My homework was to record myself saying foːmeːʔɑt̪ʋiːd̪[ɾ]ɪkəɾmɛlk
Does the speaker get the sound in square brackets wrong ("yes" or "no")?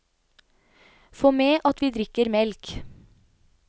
no